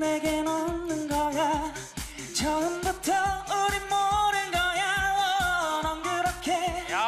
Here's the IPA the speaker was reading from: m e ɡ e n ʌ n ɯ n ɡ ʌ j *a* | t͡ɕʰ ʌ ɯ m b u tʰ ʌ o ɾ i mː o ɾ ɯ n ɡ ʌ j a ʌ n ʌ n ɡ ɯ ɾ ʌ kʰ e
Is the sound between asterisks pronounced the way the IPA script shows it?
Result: yes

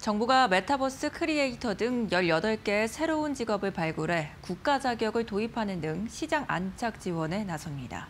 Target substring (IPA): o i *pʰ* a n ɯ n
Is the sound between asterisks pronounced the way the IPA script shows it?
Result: yes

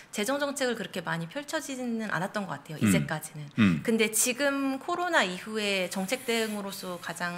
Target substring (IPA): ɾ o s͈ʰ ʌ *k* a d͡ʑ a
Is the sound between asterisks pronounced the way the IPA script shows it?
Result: yes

